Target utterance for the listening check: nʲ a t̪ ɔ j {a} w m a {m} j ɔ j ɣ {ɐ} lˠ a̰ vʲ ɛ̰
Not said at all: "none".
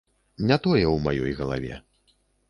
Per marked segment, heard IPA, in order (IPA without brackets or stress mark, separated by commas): ɛ, none, ɐ